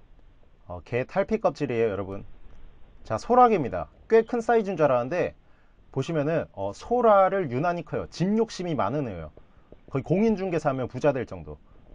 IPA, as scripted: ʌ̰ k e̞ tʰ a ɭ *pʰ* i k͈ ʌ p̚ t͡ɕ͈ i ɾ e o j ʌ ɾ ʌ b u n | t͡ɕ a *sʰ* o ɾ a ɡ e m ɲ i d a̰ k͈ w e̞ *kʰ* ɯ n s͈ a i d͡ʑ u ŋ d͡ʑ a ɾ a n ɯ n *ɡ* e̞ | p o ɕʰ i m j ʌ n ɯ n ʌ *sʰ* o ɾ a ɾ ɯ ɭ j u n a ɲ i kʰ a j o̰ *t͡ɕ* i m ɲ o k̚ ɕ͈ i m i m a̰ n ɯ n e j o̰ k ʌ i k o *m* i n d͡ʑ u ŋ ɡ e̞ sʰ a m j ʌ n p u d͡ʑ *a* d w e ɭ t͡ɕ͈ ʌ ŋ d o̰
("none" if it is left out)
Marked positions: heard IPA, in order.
pʰ, sʰ, kʰ, d, sʰ, t͡ɕ, ŋ, a

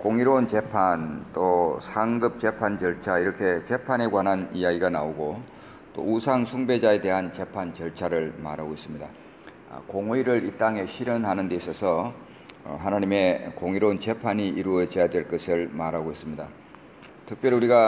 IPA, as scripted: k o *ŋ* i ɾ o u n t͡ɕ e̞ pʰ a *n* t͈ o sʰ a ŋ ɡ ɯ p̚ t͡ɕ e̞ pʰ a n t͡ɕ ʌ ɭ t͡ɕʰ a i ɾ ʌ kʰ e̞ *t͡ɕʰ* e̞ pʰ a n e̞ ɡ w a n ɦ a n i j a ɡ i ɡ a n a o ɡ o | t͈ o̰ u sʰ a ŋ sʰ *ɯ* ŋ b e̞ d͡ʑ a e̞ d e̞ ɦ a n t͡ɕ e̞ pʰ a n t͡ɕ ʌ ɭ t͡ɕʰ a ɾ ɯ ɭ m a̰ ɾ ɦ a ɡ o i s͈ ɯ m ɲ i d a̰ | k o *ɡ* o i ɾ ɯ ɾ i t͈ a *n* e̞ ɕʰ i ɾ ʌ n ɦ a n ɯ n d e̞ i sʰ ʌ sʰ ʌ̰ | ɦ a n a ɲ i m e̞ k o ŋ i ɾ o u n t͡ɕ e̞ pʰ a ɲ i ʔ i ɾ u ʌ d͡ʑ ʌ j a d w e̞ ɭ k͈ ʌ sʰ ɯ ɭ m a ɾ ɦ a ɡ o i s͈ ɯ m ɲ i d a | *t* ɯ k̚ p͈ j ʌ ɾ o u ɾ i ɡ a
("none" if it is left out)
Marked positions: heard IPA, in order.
ŋ, n, t͡ɕ, u, ŋ, ŋ, tʰ

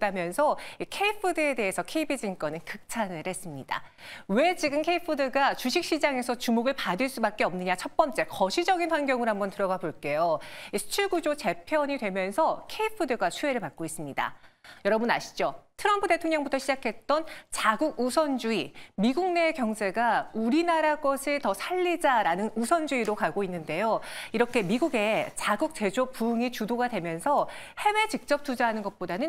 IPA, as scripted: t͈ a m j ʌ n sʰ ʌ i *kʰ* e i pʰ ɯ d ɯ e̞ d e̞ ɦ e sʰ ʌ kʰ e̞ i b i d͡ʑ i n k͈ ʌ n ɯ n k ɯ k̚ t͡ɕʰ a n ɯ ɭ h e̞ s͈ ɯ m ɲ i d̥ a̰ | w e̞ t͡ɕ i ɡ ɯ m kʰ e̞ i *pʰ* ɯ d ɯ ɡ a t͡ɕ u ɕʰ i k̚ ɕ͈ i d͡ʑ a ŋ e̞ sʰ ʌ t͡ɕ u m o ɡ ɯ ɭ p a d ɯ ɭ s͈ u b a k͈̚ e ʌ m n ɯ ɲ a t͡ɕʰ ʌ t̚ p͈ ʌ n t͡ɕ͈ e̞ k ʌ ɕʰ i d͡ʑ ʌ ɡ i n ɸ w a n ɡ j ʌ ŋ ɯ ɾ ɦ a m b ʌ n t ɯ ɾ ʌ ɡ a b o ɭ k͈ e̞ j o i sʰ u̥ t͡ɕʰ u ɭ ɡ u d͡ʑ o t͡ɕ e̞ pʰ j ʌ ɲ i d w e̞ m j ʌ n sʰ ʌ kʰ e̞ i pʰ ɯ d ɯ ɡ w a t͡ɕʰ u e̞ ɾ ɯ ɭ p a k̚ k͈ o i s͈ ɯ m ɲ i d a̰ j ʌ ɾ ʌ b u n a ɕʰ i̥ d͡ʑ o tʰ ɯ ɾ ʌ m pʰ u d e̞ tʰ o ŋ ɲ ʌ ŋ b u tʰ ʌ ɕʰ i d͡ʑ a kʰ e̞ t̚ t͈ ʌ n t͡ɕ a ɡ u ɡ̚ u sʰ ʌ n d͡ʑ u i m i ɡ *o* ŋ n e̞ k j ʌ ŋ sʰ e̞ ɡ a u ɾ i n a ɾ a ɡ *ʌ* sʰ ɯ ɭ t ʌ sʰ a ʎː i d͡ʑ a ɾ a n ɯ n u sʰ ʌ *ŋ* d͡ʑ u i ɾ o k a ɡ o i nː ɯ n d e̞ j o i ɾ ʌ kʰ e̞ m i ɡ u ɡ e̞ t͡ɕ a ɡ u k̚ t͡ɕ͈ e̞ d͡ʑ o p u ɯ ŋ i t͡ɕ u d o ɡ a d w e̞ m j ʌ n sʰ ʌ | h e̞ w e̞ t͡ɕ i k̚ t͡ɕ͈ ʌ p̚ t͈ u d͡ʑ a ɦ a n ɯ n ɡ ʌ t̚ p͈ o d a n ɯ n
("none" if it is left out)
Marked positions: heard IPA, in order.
kʰ, pʰ, u, ʌ, n

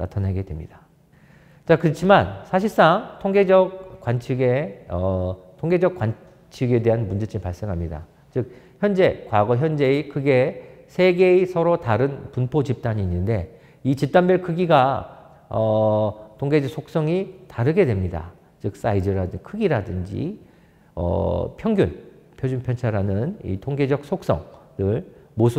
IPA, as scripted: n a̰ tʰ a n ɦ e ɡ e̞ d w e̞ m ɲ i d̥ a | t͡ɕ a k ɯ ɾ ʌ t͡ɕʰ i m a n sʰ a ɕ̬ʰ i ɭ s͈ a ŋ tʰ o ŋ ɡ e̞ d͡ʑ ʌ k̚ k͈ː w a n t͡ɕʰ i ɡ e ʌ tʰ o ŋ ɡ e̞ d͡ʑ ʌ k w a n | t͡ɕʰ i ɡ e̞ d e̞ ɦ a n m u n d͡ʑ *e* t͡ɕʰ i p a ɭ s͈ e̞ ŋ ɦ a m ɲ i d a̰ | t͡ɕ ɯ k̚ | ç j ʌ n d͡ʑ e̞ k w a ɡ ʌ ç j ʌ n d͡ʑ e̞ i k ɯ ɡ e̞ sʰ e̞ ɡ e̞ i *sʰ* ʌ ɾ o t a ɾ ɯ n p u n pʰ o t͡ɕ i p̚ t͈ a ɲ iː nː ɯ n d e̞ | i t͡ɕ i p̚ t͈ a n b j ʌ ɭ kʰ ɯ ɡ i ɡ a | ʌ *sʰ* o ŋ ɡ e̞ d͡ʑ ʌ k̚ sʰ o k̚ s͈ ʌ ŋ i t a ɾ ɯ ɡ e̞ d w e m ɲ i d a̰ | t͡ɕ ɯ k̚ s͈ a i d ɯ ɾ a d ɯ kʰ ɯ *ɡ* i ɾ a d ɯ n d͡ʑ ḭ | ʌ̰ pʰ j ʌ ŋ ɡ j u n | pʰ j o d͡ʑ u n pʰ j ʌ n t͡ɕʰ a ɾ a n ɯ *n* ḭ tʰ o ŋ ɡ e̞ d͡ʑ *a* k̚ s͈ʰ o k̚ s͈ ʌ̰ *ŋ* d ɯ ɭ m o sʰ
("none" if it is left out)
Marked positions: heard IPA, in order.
e, sʰ, tʰ, ɡ, n, ʌ, ŋ

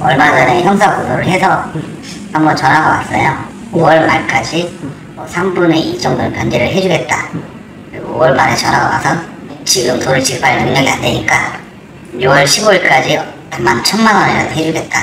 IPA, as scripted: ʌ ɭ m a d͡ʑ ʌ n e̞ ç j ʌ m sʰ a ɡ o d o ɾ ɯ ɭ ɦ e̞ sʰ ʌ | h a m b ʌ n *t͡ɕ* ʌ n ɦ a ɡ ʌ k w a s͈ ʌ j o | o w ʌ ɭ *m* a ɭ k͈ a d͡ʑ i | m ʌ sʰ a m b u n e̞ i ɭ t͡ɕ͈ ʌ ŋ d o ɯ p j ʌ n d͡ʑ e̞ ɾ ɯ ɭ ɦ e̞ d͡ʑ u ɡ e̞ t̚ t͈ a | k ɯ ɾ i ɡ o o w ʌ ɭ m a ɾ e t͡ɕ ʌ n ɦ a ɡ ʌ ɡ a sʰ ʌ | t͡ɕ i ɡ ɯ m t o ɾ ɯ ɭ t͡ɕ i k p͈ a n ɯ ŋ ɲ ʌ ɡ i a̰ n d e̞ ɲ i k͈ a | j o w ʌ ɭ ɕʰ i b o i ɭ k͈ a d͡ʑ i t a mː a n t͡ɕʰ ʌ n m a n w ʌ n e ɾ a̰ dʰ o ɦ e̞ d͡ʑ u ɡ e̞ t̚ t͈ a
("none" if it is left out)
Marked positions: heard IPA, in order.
t͡ɕ, m

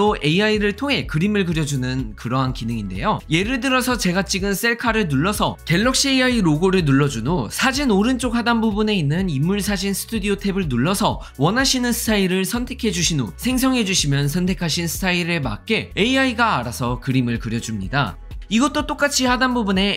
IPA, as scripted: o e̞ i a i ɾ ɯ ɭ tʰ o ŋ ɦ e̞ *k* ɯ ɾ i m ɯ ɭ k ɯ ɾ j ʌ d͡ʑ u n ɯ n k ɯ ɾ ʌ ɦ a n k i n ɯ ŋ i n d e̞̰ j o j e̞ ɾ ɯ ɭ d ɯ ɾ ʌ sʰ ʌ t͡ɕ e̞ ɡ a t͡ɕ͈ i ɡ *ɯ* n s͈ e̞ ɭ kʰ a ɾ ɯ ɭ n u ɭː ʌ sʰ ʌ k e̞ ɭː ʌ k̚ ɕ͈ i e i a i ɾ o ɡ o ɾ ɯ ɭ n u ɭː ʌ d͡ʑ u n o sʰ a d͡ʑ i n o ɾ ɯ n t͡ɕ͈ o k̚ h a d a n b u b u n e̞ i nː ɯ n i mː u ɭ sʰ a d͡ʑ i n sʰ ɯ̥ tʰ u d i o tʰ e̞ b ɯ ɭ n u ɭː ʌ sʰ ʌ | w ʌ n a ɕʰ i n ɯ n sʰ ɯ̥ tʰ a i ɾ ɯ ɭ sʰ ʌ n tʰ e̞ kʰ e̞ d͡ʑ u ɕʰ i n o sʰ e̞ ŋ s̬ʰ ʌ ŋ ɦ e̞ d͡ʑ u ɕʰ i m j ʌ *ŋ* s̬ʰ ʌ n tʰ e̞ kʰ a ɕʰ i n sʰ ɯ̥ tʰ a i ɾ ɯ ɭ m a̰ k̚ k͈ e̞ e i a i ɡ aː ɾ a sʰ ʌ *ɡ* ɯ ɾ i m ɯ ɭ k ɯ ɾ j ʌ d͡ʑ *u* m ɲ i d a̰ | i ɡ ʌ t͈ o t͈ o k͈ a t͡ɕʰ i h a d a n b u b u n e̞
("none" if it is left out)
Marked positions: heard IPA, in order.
k, ɯ, n, k, u

